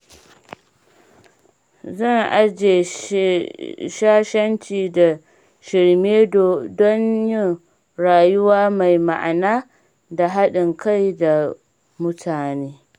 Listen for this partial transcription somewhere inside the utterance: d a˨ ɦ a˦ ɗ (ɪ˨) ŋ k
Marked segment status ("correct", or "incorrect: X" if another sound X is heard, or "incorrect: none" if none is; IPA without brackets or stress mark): correct